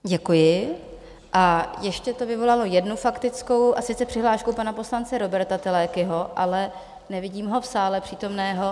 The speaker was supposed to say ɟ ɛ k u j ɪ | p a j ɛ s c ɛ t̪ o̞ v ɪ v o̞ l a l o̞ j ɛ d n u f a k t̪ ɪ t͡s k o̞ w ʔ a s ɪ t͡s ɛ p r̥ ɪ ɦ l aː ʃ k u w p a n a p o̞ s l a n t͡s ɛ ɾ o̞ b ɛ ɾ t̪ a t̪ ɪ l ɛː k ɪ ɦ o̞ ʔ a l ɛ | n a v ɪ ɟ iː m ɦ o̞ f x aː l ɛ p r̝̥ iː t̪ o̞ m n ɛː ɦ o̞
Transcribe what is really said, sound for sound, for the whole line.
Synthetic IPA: ɟ ɛ k u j ɪ | ʔ a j ɛ ʃ c ɛ t̪ o̞ v ɪ v o̞ l a l o̞ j ɛ d n u f a k t̪ ɪ t͡s k o̞ w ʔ a s ɪ t͡s ɛ p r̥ ɪ ɦ l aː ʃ k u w p a n a p o̞ s l a n t͡s ɛ ɾ o̞ b ɛ ɾ t̪ a t̪ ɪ l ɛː k ɪ ɦ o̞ ʔ a l ɛ | n ɛ v ɪ ɟ iː m ɦ o̞ f s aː l ɛ p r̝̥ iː t̪ o̞ m n ɛː ɦ o̞